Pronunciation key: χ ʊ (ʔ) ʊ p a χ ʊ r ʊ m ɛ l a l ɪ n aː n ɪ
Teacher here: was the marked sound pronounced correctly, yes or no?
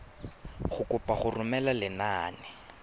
no